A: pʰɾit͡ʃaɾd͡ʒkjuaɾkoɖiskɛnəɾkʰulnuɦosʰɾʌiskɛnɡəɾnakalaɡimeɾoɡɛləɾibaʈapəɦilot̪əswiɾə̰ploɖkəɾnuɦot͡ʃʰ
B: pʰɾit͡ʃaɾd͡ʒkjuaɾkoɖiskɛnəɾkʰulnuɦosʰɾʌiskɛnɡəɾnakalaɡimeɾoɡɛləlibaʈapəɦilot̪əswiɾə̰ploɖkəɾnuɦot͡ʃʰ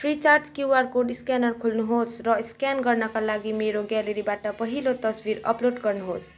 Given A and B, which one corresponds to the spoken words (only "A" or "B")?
A